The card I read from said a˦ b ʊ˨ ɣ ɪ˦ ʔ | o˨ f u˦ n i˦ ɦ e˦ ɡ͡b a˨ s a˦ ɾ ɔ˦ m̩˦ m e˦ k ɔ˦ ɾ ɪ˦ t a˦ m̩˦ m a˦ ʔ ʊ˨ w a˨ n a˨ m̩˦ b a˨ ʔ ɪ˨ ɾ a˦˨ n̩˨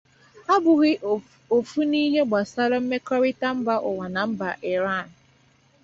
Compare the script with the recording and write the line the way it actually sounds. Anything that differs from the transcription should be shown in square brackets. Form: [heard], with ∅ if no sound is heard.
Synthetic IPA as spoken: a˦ b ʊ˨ ɣ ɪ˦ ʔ | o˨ f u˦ n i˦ ɦ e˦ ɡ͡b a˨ s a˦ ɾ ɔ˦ m̩˦ m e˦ k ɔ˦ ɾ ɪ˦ t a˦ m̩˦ [b] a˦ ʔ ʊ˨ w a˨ n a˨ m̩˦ b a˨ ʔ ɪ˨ ɾ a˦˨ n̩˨